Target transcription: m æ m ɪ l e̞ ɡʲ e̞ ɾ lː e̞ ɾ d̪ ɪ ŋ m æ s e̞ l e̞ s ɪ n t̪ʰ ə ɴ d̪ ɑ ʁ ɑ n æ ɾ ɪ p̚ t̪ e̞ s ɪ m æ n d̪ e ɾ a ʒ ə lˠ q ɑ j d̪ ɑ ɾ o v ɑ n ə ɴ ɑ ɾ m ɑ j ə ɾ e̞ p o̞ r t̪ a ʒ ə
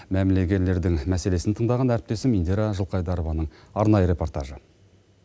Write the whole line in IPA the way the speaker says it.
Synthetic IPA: m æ m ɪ l e̞ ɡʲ e̞ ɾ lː e̞ ɾ d̪ ɪ ŋ m æ s e̞ l e̞ s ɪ n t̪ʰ ə ɴ d̪ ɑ ʁ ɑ n æ ɾ ɪ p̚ t̪ e̞ s ɪ m i n d̪ e ɾ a ʒ ə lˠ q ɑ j d̪ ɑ ɾ o v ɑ n ə ɴ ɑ ɾ n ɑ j ə ɾ e̞ p o̞ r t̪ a ʒ ə